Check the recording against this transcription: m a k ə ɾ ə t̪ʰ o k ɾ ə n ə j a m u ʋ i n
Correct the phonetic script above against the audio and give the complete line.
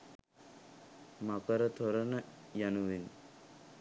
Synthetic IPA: m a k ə ɾ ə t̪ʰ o ɾ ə n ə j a n u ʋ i n